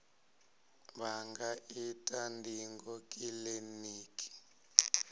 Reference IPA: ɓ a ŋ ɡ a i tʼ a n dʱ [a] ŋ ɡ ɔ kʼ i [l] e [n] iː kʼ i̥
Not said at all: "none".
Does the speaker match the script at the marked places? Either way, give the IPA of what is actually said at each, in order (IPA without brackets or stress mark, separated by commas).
i, l, n